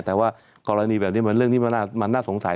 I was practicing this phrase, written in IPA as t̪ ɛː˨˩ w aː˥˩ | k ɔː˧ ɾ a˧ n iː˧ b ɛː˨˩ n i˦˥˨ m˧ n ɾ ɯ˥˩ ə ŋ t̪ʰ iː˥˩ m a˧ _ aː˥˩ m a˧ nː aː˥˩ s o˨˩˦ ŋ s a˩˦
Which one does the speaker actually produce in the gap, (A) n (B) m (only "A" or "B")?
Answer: A